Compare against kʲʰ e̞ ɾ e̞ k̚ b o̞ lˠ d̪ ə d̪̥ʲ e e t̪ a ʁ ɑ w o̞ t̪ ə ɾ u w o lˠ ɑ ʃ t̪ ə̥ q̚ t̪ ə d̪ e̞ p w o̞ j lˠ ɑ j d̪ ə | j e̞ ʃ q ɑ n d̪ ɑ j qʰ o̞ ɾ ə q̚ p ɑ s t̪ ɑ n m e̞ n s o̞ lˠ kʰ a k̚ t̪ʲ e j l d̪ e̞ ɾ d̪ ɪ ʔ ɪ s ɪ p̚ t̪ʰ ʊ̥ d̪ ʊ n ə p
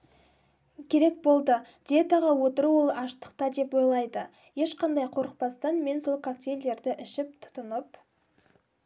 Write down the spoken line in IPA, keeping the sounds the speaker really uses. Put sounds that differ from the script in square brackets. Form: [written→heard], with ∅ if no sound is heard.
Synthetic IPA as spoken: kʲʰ e̞ ɾ e̞ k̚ b o̞ lˠ d̪ ə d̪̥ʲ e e t̪ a ʁ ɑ w o̞ t̪ ə ɾ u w o lˠ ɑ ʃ t̪ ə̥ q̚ t̪ [ə→ɑ] d̪ e̞ p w o̞ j lˠ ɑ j d̪ ə | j e̞ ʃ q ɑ n d̪ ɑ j qʰ o̞ ɾ ə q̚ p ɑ s t̪ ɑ n m e̞ n s o̞ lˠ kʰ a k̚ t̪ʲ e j l d̪ e̞ ɾ d̪ ɪ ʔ ɪ [s→ʃ] ɪ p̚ t̪ʰ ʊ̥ [d̪→t̪] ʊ n ə p

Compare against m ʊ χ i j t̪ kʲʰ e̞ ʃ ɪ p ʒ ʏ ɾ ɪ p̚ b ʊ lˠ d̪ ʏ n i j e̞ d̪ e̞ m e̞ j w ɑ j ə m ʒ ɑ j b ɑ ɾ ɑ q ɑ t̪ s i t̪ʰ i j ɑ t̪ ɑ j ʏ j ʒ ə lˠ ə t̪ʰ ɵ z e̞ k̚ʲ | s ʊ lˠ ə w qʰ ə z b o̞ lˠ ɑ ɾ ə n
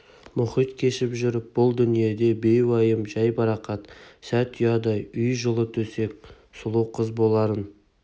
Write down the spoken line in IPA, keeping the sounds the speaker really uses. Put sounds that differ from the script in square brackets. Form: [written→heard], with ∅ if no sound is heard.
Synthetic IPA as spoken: m ʊ χ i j t̪ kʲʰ e̞ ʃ ɪ p ʒ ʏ ɾ ɪ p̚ b ʊ lˠ d̪ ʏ n i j e̞ d̪ e̞ [m→b] e̞ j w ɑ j ə m ʒ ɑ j b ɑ ɾ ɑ q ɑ t̪ s [i→æ] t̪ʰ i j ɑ [t̪→d̪] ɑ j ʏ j ʒ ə lˠ ə t̪ʰ ɵ [z→s] e̞ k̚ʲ | s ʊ lˠ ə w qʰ ə z b o̞ lˠ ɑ ɾ ə n

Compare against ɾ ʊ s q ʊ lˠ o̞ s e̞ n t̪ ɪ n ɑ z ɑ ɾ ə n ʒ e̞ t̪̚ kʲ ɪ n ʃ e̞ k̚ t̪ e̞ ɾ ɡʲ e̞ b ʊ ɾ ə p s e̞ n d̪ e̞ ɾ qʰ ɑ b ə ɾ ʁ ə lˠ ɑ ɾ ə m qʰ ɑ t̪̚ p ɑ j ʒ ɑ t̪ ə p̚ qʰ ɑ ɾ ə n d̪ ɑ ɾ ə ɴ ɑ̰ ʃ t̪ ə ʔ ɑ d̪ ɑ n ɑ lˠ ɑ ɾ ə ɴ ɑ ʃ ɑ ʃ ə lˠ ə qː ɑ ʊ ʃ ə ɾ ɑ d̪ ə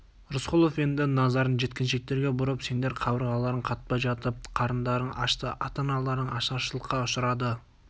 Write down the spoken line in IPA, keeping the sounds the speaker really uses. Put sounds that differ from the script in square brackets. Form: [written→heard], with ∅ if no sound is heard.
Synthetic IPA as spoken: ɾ ʊ s q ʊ lˠ o̞ [s→f] e̞ n [t̪→d̪] ɪ n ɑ z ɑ ɾ ə n ʒ e̞ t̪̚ kʲ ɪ n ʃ e̞ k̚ t̪ e̞ ɾ ɡʲ e̞ b ʊ ɾ ə p s e̞ n d̪ e̞ ɾ qʰ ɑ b ə ɾ ʁ [ə→ɑ] lˠ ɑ ɾ ə [m→ɴ] qʰ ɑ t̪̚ p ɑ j ʒ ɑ t̪ ə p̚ qʰ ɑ ɾ ə n d̪ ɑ ɾ ə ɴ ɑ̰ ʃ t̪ ə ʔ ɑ [d̪→t̪] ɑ n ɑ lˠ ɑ ɾ ə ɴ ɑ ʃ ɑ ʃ ə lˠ ə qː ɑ ʊ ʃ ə ɾ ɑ d̪ ə

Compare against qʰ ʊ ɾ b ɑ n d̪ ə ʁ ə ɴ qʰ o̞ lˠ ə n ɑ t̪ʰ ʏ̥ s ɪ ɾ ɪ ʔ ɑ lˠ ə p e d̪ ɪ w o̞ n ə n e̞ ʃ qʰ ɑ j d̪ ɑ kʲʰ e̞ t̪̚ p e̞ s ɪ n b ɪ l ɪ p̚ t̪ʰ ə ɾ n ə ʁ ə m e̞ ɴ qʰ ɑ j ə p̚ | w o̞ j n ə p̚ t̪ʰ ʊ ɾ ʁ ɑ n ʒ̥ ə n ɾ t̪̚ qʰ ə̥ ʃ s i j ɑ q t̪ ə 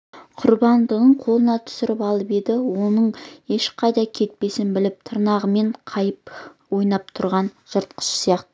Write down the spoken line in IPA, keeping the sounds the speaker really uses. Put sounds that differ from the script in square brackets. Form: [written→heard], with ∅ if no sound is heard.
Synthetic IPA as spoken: qʰ ʊ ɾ b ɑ n d̪ ə ʁ ə ɴ qʰ o̞ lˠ ə n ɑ t̪ʰ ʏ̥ s ɪ ɾ ɪ [ʔ→p] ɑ lˠ ə p e d̪ ɪ w o̞ n ə [n→ɴ] e̞ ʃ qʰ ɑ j d̪ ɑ kʲʰ e̞ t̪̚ p e̞ s ɪ n b ɪ l ɪ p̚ t̪ʰ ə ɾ n [ə→ɑ] ʁ ə m e̞ ɴ qʰ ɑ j ə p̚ | w o̞ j n [ə→ɑ] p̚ t̪ʰ ʊ ɾ ʁ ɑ n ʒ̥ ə [n→∅] ɾ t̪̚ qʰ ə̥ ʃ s i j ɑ q t̪ ə

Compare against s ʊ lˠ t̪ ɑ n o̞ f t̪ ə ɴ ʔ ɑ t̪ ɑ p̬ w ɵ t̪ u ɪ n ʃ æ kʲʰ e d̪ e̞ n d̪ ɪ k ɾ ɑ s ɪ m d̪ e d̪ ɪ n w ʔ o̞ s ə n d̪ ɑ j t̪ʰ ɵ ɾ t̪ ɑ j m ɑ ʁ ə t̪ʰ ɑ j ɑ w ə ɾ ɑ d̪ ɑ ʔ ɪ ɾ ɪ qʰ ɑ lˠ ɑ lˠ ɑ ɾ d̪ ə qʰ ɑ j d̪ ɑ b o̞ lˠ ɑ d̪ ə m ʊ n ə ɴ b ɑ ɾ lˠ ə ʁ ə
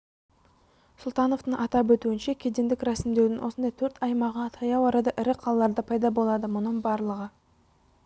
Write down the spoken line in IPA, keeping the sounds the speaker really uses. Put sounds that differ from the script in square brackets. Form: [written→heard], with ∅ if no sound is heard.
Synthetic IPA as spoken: s ʊ lˠ t̪ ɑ n o̞ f t̪ ə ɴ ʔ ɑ t̪ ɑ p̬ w ɵ t̪ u ɪ n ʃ [æ→e] kʲʰ e d̪ e̞ n d̪ ɪ k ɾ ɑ s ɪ m d̪ e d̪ ɪ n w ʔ o̞ s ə n d̪ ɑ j t̪ʰ ɵ ɾ t̪ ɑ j m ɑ ʁ ə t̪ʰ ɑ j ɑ w [ə→ɑ] ɾ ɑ d̪ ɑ ʔ ɪ ɾ ɪ qʰ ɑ lˠ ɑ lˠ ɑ ɾ d̪ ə [qʰ→pʰ] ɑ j d̪ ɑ b o̞ lˠ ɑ d̪ ə m ʊ n ə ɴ b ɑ ɾ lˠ ə ʁ ə

